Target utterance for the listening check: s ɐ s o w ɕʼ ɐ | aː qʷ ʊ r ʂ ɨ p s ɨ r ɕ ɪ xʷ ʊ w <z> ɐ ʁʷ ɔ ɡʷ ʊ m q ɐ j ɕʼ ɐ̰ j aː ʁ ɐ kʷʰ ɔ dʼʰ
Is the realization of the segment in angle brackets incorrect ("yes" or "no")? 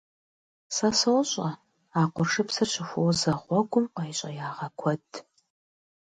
no